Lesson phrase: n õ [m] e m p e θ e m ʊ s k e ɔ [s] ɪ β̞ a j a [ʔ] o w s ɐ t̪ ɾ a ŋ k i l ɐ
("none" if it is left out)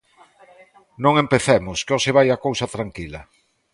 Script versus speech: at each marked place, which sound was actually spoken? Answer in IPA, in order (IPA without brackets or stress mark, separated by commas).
ŋ, s, k